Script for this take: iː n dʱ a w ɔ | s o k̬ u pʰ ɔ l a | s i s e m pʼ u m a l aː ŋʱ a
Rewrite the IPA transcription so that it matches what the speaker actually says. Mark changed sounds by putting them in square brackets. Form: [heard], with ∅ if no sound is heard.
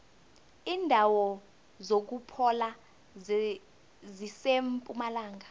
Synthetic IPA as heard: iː n dʱ a w ɔ | [z] o k̬ u pʰ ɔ l a | [z] i s e m pʼ u m a l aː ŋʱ a